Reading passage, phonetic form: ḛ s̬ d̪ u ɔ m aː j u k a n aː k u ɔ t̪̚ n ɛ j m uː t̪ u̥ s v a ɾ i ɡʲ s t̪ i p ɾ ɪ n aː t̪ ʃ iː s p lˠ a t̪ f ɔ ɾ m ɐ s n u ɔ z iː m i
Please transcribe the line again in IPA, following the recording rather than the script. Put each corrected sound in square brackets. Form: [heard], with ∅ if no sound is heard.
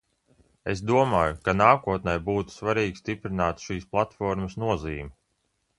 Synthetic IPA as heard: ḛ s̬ d̪ u ɔ m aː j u k a n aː k u ɔ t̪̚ n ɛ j [b] uː t̪ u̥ s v a ɾ [iː] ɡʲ s t̪ i p ɾ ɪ n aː t̪ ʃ iː s p lˠ a t̪ f ɔ ɾ m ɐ s n u ɔ z iː m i